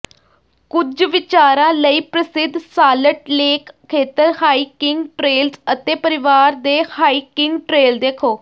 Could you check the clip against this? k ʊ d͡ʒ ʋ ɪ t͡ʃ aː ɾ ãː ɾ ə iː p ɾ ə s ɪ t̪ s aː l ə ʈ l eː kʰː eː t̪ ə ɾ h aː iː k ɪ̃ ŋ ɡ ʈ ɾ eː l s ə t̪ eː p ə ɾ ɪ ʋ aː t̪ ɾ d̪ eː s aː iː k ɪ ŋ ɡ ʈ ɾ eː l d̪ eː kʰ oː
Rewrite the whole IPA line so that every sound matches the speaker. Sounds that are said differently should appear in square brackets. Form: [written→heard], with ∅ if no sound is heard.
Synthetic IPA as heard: k ʊ d͡ʒ ʋ ɪ t͡ʃ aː ɾ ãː [ɾ→l] ə iː p ɾ ə s ɪ [t̪→d̪] s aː l ə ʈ l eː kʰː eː t̪ ə ɾ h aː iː k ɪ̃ ŋ ɡ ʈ ɾ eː l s ə t̪ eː p ə ɾ ɪ ʋ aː [t̪→∅] ɾ d̪ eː [s→h] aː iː k ɪ ŋ ɡ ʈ ɾ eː l d̪ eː kʰ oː